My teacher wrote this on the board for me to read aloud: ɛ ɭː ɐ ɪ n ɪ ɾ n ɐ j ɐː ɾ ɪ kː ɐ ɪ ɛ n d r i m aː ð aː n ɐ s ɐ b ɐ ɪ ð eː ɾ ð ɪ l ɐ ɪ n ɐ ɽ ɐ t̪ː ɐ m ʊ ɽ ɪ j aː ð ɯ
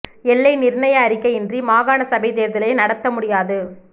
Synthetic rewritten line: ɛ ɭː ɐ ɪ n ɪ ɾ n ɐ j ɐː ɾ ɪ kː ɐ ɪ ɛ n d r i m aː ɣ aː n ɐ s ɐ b ɐ ɪ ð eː ɾ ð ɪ l ɐ ɪ n ɐ ɽ ɐ t̪ː ɐ m ʊ ɽ ɪ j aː ð ɯ